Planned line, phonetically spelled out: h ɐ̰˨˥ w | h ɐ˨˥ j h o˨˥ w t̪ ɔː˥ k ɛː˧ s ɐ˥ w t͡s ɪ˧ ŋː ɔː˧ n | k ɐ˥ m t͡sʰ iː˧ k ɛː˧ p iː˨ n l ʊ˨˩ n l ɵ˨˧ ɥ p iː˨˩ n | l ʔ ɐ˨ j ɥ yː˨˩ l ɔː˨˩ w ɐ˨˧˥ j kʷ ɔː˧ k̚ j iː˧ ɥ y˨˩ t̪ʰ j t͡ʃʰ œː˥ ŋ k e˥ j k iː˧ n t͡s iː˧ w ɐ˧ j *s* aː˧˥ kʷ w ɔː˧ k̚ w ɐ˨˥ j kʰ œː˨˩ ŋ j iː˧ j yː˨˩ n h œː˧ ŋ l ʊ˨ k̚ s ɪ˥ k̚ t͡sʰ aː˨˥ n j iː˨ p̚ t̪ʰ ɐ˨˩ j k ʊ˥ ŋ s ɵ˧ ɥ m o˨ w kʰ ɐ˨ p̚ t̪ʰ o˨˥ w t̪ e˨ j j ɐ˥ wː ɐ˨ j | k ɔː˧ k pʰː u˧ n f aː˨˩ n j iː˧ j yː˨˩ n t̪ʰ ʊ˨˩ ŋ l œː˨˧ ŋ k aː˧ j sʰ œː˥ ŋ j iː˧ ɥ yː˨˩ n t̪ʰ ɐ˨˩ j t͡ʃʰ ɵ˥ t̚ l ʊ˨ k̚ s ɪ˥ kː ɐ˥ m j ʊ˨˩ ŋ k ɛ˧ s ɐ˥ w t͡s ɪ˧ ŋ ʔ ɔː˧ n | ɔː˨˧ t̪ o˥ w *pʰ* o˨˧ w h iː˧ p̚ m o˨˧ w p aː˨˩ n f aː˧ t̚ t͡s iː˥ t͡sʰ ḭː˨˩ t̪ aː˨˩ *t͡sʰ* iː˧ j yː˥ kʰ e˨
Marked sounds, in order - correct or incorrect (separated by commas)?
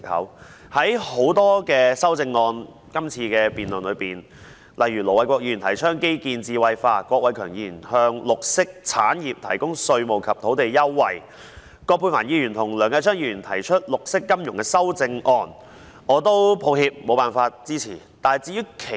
incorrect, correct, incorrect